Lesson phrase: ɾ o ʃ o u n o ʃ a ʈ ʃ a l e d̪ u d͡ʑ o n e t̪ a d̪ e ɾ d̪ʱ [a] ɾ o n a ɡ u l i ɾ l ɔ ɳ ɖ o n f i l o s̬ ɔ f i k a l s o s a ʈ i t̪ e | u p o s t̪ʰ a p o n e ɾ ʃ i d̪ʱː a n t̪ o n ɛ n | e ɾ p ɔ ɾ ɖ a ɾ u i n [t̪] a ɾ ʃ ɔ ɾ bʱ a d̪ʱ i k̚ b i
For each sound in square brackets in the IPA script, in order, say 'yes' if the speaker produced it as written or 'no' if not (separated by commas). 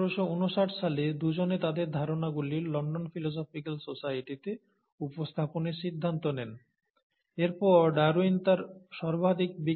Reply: yes, yes